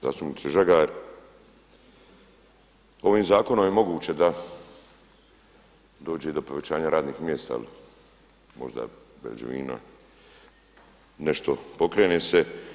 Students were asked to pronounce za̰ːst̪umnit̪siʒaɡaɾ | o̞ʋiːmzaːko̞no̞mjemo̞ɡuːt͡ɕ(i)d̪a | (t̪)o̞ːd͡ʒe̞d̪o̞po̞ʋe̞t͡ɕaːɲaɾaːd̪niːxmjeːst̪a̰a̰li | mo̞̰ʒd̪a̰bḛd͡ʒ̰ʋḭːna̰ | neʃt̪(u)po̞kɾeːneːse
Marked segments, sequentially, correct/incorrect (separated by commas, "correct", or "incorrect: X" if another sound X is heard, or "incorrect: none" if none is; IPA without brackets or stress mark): incorrect: e, incorrect: d̪, incorrect: o